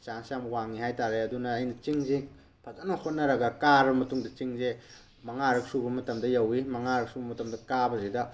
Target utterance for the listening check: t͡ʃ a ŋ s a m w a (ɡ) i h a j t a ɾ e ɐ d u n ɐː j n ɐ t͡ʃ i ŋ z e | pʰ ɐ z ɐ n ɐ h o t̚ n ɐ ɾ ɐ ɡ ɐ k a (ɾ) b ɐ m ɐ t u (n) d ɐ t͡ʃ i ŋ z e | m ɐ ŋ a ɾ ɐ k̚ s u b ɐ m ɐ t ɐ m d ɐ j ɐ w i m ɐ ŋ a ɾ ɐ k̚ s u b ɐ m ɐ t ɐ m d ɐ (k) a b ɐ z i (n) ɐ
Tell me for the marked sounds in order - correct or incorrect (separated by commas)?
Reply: incorrect, correct, incorrect, correct, incorrect